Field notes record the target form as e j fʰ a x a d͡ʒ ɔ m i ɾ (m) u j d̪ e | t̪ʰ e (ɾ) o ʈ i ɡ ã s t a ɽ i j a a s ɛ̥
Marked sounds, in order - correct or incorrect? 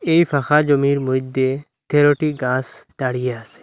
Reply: correct, correct

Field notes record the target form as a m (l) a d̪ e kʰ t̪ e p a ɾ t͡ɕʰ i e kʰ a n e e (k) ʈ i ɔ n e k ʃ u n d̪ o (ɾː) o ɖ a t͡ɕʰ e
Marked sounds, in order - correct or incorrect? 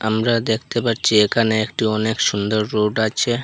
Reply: incorrect, correct, correct

